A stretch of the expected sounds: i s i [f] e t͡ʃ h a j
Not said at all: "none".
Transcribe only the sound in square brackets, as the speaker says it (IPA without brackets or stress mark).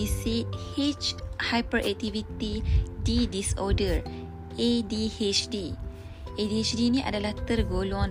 h